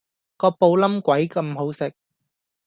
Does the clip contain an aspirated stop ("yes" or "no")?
no